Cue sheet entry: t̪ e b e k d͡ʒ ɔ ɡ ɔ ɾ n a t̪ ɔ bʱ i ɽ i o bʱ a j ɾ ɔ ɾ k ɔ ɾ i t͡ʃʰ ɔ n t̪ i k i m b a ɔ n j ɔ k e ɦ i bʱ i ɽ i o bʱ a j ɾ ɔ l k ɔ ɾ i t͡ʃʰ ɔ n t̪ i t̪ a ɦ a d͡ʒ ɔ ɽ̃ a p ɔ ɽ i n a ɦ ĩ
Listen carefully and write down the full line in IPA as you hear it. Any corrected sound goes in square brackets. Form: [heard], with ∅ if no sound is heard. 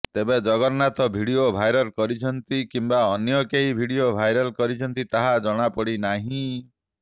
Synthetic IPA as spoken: t̪ e b e [∅] d͡ʒ ɔ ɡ ɔ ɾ n a t̪ ɔ bʱ i ɽ i o bʱ a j ɾ ɔ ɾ k ɔ ɾ i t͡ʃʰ ɔ n t̪ i k i m b a ɔ n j ɔ k e ɦ i bʱ i ɽ i o bʱ a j ɾ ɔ l k ɔ ɾ i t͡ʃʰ ɔ n t̪ i t̪ a ɦ a d͡ʒ ɔ ɽ̃ a p ɔ ɽ i n a ɦ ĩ